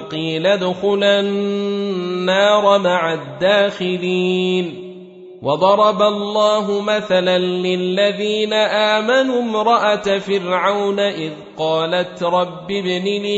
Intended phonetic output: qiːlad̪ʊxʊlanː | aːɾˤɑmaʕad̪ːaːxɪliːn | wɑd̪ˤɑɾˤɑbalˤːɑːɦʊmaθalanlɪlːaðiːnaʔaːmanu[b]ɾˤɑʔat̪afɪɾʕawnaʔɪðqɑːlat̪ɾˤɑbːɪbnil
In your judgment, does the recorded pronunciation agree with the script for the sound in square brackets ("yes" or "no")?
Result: no